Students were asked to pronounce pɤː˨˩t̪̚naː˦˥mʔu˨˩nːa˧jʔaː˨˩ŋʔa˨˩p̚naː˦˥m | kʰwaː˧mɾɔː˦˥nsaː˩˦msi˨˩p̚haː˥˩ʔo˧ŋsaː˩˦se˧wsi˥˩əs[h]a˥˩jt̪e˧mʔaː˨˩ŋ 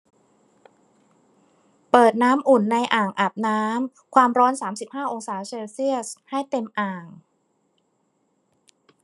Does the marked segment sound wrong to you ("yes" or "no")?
no